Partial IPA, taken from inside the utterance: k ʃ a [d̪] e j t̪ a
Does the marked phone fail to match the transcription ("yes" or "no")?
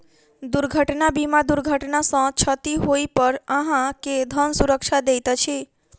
no